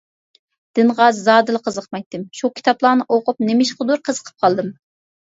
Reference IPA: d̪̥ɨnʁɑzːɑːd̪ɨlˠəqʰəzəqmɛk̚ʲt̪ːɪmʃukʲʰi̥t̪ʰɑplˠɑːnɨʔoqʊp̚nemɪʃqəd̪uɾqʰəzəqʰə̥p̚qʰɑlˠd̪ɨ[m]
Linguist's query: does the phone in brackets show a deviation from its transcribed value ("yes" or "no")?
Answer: no